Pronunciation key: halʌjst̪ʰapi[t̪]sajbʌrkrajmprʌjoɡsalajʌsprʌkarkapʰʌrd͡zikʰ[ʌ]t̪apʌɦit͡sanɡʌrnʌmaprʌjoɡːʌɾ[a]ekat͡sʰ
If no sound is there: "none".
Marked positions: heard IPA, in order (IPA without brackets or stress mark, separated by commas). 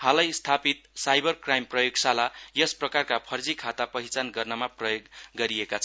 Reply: t̪, a, i